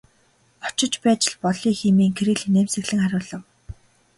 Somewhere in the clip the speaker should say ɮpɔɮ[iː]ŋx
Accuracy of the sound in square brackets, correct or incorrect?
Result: correct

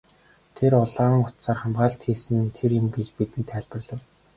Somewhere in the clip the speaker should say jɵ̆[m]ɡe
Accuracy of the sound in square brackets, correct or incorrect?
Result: correct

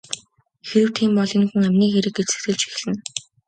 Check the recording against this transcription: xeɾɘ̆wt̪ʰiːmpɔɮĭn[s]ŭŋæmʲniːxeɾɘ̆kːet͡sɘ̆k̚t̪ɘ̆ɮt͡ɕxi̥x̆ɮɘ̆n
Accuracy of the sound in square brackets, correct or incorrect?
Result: incorrect: x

